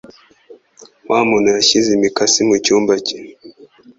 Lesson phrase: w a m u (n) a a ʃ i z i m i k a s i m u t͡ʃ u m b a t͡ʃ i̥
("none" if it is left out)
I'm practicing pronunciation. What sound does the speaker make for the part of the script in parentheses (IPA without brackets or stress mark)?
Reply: n